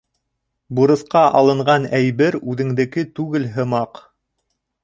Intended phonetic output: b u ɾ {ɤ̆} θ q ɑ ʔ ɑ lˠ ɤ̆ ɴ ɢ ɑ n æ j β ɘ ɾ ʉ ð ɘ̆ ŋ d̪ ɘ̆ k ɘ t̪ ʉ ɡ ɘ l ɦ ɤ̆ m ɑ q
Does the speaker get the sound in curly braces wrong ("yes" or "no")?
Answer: no